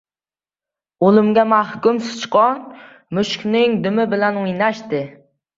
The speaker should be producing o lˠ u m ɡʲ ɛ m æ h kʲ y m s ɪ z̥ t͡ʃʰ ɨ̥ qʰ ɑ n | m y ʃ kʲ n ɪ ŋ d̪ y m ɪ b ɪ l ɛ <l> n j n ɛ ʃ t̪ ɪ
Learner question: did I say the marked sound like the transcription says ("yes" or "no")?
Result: no